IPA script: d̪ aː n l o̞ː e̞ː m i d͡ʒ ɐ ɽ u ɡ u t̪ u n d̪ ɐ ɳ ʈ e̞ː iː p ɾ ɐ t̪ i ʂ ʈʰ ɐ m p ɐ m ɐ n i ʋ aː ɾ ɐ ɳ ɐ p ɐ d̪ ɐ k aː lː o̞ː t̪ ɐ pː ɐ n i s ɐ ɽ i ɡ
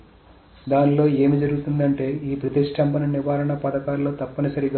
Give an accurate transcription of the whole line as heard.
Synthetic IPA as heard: d̪ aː n l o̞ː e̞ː m i d͡ʒ ɐ ɾ u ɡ u t̪ u n d̪ ɐ ɳ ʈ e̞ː iː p ɾ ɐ t̪ i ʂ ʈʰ ɐ m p ɐ n ɐ n i ʋ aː ɾ ɐ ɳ ɐ p ɐ d̪ ɐ k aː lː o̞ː t̪ ɐ pː ɐ n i s ɐ ɾ i ɡ

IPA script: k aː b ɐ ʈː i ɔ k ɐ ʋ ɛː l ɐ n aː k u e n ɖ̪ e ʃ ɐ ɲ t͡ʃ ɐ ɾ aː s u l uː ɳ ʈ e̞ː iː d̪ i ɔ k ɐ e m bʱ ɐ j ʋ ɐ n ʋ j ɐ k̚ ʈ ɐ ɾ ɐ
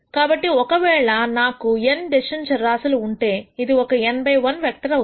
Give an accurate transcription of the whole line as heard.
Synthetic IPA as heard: k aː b ɐ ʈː i ɔ k ɐ ʋ ɛː ɭ ɐ n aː k u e n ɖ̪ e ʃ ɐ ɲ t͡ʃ ɐ ɾ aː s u l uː ɳ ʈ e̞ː i d̪ i ɔ k ɐ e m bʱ ɐ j ʋ ɐ n ʋ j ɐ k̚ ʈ ɐ ɾ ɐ

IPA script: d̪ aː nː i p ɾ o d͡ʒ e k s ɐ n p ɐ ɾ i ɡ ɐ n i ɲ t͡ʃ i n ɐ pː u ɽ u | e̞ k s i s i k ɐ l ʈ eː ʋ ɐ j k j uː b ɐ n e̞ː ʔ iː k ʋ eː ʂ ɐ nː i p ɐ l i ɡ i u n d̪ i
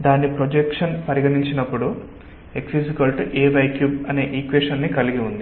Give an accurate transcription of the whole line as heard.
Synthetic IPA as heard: d̪ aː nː i p ɾ o d͡ʒ e k ʂ ɐ n p ɐ ɾ i ɡ ɐ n i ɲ t͡ʃ i n ɐ pː u ɽ u | e̞ k s i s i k ɐ l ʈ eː ʋ ɐ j k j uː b ɐ n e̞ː ʔ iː k ʋ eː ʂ ɐ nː i k ɐ l i ɡ i u n d̪ i

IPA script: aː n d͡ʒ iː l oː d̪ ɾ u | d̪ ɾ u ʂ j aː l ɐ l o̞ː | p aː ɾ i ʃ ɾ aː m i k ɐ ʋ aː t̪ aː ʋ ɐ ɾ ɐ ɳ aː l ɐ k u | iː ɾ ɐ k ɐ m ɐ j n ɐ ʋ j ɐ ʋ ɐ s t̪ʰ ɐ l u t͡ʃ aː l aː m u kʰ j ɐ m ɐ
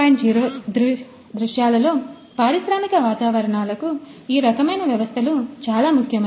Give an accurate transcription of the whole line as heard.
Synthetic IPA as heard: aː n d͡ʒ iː ɾ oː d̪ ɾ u | d̪ ɾ u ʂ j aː l ɐ l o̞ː | p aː ɾ i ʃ ɾ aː m i k ɐ ʋ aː t̪ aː ʋ ɐ ɾ ɐ ɳ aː l ɐ k u | iː ɾ ɐ k ɐ m ɐ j n ɐ ʋ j ɐ ʋ ɐ s t̪ʰ ɐ l u t͡ʃ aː l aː m u kʰ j ɐ m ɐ

